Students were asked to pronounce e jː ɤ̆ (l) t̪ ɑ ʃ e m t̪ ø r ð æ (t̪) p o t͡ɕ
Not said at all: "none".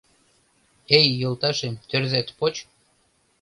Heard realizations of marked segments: l, t̪

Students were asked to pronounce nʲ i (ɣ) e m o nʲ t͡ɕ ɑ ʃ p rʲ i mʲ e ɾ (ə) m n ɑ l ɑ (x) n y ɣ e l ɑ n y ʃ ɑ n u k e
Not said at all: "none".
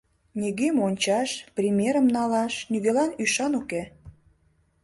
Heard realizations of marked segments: ɣ, ə, ʃ

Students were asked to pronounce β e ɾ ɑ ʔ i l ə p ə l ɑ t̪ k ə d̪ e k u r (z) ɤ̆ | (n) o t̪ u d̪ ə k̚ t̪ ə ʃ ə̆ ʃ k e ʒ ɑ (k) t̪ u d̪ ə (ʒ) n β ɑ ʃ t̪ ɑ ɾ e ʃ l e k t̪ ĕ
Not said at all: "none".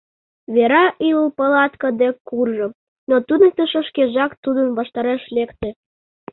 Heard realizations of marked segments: ʒ, n, k, none

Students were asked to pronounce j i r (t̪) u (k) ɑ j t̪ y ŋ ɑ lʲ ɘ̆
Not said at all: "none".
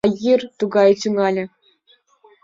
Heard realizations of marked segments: t̪, ɡ

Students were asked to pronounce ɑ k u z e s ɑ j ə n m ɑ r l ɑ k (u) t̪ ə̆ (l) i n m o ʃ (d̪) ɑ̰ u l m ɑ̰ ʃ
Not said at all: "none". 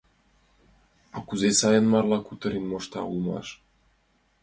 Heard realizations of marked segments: u, ɾ, t̪

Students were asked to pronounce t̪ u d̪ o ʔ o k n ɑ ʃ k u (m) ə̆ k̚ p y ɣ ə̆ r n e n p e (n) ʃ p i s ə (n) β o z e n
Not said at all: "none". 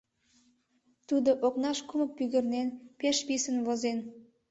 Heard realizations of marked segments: m, none, n

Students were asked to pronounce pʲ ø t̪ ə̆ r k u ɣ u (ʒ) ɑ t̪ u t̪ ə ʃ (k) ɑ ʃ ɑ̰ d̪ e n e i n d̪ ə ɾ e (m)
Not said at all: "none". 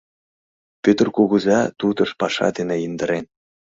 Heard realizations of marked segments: z, p, n

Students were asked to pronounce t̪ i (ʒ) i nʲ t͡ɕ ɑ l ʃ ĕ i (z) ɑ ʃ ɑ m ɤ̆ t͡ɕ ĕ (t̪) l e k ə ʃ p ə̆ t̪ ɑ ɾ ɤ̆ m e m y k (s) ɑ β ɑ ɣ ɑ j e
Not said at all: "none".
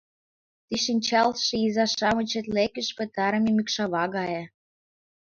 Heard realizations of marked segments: ʃ, z, t̪, ʃ

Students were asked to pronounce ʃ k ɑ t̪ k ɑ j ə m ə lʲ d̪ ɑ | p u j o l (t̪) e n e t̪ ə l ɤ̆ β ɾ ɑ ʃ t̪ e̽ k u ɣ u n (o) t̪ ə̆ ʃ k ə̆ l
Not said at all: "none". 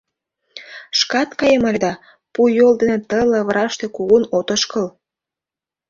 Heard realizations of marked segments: d̪, o

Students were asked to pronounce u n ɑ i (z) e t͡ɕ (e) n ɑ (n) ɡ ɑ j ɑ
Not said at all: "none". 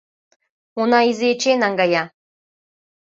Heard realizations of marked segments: z, e, ŋ

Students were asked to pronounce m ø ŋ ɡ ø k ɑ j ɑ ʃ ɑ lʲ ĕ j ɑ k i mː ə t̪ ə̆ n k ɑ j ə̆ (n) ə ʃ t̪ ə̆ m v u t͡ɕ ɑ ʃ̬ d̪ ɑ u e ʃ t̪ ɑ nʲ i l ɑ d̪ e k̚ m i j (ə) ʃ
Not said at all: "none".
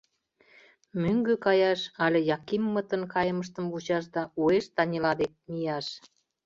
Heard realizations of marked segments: m, ɑ

